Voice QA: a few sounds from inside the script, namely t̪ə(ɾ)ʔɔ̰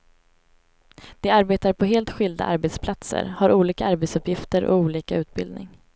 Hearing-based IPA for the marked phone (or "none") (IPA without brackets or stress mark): ɾ